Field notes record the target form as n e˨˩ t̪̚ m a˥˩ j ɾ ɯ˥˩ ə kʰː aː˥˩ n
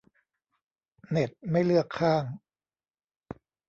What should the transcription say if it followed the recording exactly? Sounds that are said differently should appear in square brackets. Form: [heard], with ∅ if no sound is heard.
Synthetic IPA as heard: n e˨˩ t̪̚ m a˥˩ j [l] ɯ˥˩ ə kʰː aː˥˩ [ŋ]